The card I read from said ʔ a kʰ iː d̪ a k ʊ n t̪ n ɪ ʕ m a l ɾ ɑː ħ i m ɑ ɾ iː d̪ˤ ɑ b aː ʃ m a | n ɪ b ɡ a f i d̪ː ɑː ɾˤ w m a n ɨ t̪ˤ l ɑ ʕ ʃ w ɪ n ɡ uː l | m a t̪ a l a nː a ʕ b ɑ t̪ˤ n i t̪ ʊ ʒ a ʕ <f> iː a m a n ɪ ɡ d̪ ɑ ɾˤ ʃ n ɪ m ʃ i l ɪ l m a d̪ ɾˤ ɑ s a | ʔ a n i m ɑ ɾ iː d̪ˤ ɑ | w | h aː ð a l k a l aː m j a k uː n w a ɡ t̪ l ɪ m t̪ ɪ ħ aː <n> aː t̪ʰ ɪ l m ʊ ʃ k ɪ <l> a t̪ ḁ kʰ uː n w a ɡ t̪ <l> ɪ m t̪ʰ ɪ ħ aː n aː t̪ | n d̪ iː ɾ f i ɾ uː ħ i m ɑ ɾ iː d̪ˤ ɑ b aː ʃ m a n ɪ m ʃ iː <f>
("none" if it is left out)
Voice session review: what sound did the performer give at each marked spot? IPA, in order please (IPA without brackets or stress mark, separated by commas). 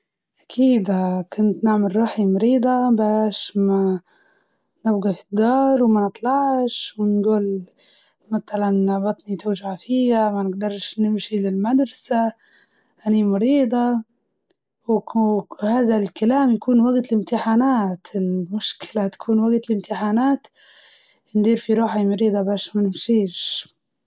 f, n, l, l, ʃ